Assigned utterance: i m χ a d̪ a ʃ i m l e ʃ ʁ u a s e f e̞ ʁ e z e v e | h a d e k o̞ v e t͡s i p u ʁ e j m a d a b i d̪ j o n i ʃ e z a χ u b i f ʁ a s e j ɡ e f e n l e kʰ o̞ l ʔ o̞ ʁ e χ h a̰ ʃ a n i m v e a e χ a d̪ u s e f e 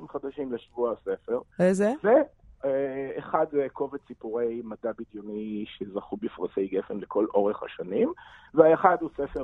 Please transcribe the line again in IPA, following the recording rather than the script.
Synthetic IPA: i m χ a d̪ a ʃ i m l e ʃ v u a s e f e̞ ʁ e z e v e | χ a d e k o̞ v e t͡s i p u ʁ e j m a d a b i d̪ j o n i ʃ e z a χ u b i f ʁ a s e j ɡ e f e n l e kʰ o̞ l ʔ o̞ ʁ e χ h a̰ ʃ a n i m v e a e χ a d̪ u s e f e